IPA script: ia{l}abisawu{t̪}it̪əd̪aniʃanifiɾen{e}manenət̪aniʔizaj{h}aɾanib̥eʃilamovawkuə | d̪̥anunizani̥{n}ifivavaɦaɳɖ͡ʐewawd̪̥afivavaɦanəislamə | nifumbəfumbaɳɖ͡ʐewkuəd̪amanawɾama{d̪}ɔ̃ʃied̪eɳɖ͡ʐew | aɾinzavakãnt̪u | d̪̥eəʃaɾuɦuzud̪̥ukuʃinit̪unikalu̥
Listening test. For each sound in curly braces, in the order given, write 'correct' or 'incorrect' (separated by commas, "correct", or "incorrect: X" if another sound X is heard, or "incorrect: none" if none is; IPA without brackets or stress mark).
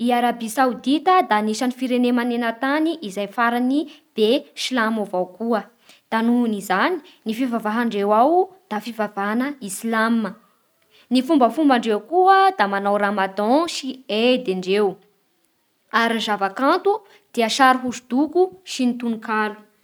incorrect: ɾ, incorrect: d̪, correct, incorrect: f, correct, correct